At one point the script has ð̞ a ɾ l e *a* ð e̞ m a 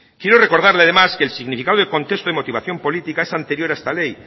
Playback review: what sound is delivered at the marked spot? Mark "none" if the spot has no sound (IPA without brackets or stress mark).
a